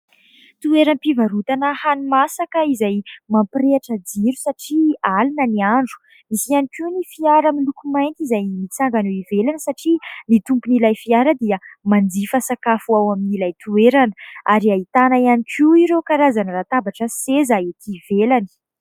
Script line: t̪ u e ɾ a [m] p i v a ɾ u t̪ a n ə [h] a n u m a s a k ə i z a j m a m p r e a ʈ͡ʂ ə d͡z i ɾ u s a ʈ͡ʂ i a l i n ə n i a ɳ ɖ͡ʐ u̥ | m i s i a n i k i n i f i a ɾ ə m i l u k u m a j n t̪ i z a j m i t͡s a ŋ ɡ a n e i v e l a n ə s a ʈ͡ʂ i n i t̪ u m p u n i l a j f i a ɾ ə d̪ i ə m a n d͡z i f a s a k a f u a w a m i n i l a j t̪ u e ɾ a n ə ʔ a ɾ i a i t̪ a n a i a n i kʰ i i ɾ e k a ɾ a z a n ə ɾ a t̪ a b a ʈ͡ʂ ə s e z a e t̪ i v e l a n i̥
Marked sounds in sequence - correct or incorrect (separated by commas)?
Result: incorrect, correct